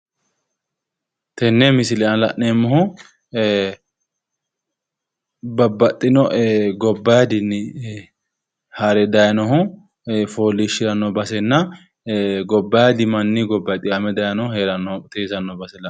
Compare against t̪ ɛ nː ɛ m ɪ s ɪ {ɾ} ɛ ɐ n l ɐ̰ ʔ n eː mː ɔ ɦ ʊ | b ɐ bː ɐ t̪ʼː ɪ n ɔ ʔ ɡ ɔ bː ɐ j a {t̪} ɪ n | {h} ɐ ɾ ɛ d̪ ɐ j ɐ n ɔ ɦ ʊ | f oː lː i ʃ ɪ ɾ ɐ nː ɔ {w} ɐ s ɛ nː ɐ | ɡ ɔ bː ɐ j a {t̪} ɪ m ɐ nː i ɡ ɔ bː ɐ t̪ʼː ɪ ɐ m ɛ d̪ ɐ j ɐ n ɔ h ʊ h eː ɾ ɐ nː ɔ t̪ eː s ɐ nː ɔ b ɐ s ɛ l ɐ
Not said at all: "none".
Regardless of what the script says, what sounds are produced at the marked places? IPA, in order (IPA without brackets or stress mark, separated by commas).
l, d̪, h, b, d̪